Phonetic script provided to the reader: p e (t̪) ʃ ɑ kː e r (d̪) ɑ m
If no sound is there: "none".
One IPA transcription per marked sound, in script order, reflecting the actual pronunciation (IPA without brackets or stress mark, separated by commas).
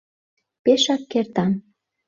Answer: none, t̪